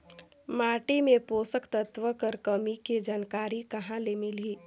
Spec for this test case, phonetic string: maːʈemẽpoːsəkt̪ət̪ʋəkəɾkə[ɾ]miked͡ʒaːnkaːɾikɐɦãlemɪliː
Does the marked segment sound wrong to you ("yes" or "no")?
yes